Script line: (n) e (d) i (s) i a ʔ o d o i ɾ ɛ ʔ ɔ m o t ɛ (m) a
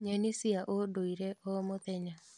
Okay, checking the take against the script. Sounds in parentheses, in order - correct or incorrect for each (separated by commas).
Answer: incorrect, incorrect, correct, incorrect